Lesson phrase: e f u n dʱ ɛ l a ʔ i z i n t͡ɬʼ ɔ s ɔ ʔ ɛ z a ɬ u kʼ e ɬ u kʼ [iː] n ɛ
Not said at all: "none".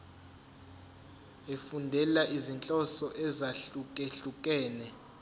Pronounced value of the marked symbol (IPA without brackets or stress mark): ɛː